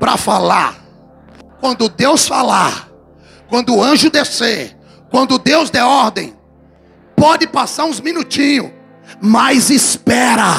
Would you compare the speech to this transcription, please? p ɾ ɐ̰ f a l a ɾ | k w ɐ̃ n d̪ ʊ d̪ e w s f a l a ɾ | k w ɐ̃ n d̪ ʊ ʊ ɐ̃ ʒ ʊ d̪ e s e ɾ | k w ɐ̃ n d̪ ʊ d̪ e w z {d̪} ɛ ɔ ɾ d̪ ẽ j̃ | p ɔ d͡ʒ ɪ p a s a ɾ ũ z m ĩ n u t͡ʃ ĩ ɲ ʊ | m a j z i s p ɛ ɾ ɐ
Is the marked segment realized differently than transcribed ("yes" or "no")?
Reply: no